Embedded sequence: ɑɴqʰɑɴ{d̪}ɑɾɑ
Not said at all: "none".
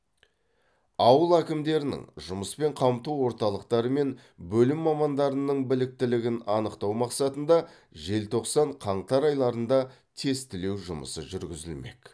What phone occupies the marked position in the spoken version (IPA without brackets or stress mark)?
t̪